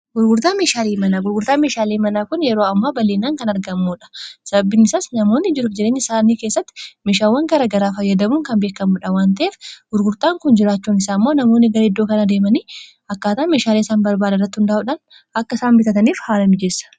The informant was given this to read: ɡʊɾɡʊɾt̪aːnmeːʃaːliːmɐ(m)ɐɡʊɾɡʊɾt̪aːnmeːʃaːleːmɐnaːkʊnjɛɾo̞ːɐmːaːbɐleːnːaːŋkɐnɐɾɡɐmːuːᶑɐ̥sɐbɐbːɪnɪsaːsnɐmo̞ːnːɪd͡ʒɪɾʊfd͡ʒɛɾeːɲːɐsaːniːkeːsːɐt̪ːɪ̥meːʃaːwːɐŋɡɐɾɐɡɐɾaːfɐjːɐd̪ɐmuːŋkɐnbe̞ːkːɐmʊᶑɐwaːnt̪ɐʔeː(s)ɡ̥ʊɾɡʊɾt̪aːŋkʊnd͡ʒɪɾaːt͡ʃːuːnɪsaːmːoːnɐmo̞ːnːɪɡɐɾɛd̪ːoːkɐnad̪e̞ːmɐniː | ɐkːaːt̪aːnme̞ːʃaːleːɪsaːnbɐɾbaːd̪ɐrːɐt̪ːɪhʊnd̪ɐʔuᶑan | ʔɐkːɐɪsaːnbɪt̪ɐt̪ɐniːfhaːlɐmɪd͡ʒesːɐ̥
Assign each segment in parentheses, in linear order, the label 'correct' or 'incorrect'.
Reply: incorrect, incorrect

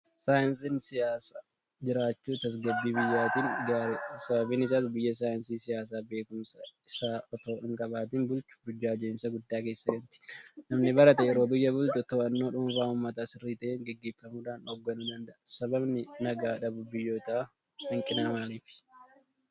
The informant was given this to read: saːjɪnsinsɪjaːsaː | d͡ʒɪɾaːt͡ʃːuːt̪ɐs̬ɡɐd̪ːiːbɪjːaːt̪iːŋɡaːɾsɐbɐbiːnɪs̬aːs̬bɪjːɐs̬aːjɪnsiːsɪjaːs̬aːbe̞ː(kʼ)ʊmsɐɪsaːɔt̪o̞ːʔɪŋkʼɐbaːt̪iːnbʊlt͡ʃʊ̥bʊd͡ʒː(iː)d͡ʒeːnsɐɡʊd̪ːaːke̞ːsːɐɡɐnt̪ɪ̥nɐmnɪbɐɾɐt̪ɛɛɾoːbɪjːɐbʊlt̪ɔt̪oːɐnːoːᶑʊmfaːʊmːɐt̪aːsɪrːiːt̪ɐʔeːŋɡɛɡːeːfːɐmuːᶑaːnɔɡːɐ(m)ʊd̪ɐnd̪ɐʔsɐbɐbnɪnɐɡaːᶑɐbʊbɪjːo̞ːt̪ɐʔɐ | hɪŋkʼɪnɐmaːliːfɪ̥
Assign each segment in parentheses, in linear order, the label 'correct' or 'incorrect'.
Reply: incorrect, incorrect, incorrect

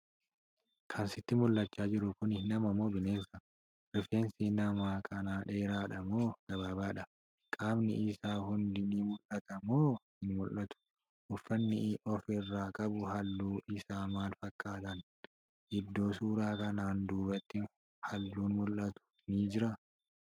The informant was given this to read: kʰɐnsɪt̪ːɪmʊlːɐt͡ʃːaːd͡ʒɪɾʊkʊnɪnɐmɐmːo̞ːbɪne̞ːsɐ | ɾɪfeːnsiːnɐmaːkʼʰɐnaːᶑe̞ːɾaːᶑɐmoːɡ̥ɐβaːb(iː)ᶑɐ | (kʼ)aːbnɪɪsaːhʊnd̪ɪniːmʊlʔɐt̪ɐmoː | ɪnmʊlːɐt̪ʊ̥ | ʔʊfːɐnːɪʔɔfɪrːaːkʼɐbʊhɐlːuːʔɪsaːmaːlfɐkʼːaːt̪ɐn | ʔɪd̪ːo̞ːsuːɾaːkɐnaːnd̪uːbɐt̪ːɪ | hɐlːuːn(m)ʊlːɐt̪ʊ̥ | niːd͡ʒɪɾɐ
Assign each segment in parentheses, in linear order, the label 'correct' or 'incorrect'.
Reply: incorrect, correct, correct

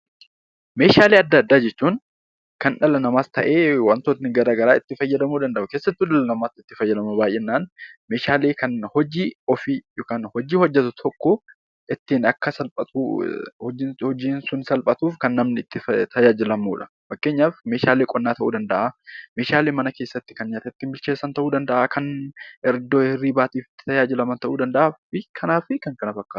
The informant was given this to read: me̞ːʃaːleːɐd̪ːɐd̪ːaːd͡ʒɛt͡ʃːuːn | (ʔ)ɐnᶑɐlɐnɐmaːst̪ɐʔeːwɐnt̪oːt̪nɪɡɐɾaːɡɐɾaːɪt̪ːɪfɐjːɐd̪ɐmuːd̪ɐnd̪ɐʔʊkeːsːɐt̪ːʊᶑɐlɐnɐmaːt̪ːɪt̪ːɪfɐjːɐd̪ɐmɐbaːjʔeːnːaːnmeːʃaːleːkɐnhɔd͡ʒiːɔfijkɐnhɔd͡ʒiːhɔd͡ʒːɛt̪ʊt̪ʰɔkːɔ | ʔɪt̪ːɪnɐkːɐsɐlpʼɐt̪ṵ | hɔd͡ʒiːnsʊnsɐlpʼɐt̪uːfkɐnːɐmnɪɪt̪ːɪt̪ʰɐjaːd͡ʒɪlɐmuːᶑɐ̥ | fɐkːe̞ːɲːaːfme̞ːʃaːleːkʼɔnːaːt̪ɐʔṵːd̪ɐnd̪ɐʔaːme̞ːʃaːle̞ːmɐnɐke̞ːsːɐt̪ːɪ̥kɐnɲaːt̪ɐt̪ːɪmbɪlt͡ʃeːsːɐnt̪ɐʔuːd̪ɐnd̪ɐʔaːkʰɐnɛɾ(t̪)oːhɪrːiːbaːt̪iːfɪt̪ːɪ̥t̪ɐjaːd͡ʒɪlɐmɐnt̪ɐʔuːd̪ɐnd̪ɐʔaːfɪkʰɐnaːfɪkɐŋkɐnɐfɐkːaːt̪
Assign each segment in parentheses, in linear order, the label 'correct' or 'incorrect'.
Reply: incorrect, incorrect

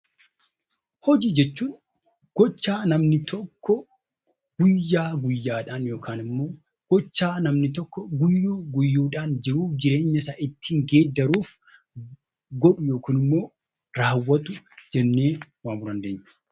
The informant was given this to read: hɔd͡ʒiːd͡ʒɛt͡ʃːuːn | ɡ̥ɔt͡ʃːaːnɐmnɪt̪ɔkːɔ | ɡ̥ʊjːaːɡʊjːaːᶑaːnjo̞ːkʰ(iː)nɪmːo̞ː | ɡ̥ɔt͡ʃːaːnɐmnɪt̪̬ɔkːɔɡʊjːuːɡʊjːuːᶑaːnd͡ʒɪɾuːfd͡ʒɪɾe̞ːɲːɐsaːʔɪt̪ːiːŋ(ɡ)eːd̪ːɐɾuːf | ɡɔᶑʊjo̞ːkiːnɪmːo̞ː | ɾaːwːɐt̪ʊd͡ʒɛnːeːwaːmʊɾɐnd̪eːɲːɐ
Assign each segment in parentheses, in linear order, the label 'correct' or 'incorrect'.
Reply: incorrect, correct

